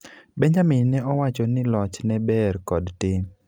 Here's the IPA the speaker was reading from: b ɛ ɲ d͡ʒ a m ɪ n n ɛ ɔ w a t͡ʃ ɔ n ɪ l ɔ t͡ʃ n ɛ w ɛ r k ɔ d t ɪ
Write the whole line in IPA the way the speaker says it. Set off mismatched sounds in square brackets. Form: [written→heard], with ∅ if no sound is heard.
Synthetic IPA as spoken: b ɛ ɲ d͡ʒ a m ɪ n n ɛ ɔ w a t͡ʃ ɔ n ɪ l ɔ t͡ʃ n ɛ [w→b] ɛ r k ɔ d t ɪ